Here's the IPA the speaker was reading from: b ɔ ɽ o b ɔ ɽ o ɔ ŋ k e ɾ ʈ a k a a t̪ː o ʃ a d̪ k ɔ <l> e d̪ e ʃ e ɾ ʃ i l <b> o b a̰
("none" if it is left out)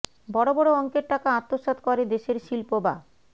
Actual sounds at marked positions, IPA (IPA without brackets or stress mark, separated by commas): ɾ, p